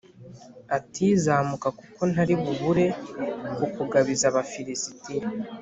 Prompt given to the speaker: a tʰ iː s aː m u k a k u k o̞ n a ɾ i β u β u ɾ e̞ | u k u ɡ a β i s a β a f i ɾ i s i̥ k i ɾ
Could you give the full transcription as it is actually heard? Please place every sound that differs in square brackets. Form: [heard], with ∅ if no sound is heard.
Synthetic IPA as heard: a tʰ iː [z] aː m u k a k u k o̞ n a ɾ i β u β u ɾ e̞ | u k u ɡ a β i [z] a β a f i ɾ i s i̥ [t] i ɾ